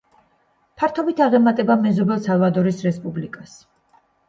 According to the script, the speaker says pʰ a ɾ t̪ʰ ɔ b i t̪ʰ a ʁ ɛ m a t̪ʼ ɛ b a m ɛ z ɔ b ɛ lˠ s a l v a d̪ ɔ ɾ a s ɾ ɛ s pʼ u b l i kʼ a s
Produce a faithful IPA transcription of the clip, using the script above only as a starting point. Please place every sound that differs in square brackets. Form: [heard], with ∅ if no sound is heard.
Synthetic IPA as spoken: pʰ a ɾ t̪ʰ ɔ b i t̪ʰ a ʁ ɛ m a t̪ʼ ɛ b a m ɛ z ɔ b ɛ lˠ s a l v a d̪ ɔ ɾ [i] s ɾ ɛ s pʼ u b l i kʼ a s

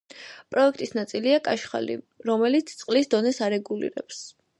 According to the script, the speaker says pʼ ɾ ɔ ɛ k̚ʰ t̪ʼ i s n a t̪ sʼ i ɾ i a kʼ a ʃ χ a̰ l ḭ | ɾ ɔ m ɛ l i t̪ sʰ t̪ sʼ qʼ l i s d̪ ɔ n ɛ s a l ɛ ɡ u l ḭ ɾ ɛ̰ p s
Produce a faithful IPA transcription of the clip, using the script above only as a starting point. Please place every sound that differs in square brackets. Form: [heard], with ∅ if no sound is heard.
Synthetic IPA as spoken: pʼ ɾ ɔ ɛ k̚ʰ t̪ʼ i s n a t̪ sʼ i [l] i a kʼ a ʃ χ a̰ l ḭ | ɾ ɔ m ɛ l i t̪ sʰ t̪ sʼ qʼ l i s d̪ ɔ n ɛ s a [ɾ] ɛ ɡ u l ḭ ɾ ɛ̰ p s

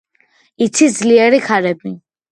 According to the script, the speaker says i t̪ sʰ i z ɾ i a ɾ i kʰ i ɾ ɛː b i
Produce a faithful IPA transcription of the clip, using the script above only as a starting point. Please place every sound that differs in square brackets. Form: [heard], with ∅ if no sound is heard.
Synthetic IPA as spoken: i t̪ sʰ i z [l] i [ɛ] ɾ i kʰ [a] ɾ [ɛ] b i

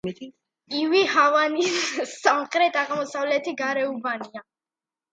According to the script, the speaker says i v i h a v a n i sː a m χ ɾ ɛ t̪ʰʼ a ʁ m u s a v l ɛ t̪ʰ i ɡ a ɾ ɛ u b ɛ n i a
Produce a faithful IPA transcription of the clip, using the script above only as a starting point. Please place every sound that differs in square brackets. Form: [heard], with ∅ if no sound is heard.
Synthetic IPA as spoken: i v i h a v a n i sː a m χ ɾ ɛ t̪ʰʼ a ʁ m [ɔ] s a v l ɛ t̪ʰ i ɡ a ɾ ɛ u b [a] n i a

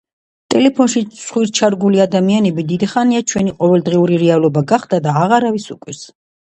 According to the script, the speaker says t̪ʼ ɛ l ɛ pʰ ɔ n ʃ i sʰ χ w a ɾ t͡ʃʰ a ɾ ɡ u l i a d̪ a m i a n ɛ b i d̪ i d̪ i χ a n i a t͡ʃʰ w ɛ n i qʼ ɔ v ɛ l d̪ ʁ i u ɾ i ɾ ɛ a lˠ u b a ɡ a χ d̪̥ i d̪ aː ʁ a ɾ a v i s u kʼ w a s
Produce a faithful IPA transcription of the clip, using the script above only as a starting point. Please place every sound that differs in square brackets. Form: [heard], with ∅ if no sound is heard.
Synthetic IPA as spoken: t̪ʼ ɛ l ɛ pʰ ɔ n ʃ i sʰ χ w [i] ɾ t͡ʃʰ a ɾ ɡ u l i a d̪ a m i a n ɛ b i d̪ i d̪ i χ a n i a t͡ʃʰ w ɛ n i qʼ ɔ v ɛ l d̪ ʁ i u ɾ i ɾ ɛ a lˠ [ɔ] b a ɡ a χ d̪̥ [a] d̪ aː ʁ a ɾ a v i s u kʼ w [i] s

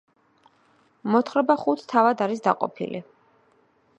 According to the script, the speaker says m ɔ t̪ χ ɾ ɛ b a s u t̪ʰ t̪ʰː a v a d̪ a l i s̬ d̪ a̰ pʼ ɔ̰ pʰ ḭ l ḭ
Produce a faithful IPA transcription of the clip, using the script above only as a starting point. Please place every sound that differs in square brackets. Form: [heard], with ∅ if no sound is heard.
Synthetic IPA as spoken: m ɔ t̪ χ ɾ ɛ b a [χ] u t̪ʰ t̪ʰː a v a d̪ a [ɾ] i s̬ d̪ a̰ [qʼ] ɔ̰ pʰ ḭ l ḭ

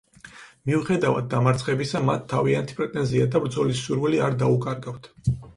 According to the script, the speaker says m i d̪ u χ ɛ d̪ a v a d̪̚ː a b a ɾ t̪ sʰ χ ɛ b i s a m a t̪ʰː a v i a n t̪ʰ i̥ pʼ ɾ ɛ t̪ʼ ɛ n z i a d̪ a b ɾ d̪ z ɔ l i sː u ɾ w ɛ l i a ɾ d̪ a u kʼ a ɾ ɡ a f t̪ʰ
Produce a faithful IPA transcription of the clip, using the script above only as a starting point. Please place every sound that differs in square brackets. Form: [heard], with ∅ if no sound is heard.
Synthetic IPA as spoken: m i [∅] u χ ɛ d̪ a v a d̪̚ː a [m] a ɾ t̪ sʰ χ ɛ b i s a m a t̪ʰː a v i a n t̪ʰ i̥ pʼ ɾ ɛ t̪ʼ ɛ n z i a d̪ a b ɾ d̪ z ɔ l i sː u ɾ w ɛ l i a ɾ d̪ a u kʼ a ɾ ɡ a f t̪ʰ

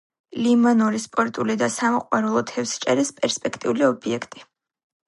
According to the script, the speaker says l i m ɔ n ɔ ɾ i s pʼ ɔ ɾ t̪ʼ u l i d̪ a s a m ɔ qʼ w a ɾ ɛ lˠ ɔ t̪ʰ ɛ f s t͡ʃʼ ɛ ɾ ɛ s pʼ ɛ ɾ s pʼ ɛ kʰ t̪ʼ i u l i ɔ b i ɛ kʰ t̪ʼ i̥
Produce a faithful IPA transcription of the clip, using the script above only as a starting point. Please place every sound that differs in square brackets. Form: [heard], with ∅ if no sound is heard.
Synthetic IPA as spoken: l i m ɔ n ɔ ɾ i s pʼ ɔ ɾ t̪ʼ u l i d̪ a s a m ɔ qʼ w a ɾ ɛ lˠ ɔ t̪ʰ ɛ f s t͡ʃʼ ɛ ɾ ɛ s pʼ ɛ ɾ s pʼ ɛ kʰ t̪ʼ i u l i ɔ b i ɛ kʰ t̪ʼ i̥

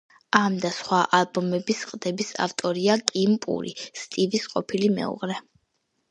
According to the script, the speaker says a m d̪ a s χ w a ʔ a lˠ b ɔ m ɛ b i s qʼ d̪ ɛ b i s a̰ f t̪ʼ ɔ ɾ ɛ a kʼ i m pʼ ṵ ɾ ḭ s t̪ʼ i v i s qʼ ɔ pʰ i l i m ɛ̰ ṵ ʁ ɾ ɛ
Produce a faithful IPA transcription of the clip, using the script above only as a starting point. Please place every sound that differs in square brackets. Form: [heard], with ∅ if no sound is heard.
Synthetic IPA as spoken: a m d̪ a s χ w a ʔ a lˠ b ɔ m ɛ b i s qʼ d̪ ɛ b i s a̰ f t̪ʼ ɔ ɾ [i] a kʼ i m pʼ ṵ ɾ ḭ s t̪ʼ i v i s qʼ ɔ pʰ i l i m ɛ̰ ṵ ʁ ɾ ɛ

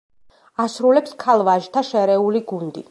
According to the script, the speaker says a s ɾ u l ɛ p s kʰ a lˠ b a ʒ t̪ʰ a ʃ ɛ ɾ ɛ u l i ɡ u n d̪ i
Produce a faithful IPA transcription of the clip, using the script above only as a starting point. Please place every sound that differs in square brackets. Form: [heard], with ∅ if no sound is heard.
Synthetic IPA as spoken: a s ɾ u l ɛ p s kʰ a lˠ [v] a ʒ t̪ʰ a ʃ ɛ ɾ ɛ u l i ɡ u n d̪ i

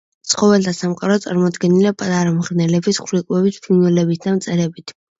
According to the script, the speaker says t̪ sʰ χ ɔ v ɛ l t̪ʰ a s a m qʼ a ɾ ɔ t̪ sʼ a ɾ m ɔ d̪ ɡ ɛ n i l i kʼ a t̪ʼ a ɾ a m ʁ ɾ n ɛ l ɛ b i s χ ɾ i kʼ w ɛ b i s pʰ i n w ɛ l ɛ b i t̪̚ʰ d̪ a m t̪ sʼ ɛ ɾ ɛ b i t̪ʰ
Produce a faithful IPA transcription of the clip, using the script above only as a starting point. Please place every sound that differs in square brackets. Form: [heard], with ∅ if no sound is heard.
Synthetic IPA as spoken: t̪ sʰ χ ɔ v ɛ l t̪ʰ a s a m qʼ a ɾ ɔ t̪ sʼ a ɾ m ɔ d̪ ɡ ɛ n i l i [pʼ] a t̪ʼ a ɾ a m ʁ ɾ n ɛ l ɛ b i s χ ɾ i kʼ w ɛ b i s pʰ i n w ɛ l ɛ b i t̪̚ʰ d̪ a m t̪ sʼ ɛ ɾ ɛ b i t̪ʰ

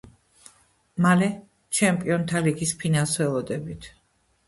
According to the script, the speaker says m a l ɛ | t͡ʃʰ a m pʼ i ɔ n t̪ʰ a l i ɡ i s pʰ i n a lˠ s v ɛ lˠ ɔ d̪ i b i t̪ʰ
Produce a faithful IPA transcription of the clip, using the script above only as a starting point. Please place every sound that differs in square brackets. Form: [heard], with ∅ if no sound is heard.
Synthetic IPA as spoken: m a l ɛ | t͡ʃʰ [ɛ] m pʼ i ɔ n t̪ʰ a l i ɡ i s pʰ i n a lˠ s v ɛ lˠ ɔ d̪ [ɛ] b i t̪ʰ

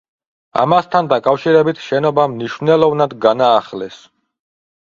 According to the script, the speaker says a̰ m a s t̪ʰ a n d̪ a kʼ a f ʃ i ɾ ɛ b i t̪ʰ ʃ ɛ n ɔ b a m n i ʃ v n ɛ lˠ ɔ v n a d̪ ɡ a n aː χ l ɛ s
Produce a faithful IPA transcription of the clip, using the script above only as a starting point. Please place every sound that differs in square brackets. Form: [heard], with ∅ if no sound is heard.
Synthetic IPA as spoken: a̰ m a s t̪ʰ a n d̪ a kʼ a f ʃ i ɾ ɛ b i t̪ʰ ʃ ɛ n ɔ b a m n i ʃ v n ɛ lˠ ɔ v n a d̪ ɡ a n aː χ l ɛ s

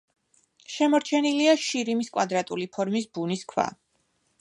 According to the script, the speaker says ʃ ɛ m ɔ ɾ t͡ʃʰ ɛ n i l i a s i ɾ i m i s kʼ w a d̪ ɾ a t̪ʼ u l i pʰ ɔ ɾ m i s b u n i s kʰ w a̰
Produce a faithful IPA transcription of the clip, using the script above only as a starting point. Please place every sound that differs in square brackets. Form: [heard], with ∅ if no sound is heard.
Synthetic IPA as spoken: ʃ ɛ m ɔ ɾ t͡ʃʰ ɛ n i l i a [ʃ] i ɾ i m i s kʼ w a d̪ ɾ a t̪ʼ u l i pʰ ɔ ɾ m i s b u n i s kʰ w a̰

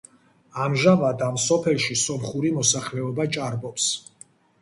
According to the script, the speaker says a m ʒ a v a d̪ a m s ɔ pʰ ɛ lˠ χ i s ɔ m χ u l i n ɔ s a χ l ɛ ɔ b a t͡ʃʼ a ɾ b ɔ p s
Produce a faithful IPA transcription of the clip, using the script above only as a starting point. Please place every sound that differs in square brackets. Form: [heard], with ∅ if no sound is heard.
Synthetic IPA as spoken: a m ʒ a v a d̪ a m s ɔ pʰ ɛ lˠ [ʃ] i s ɔ m χ u [ɾ] i [m] ɔ s a χ l ɛ ɔ b a t͡ʃʼ a ɾ b ɔ p s

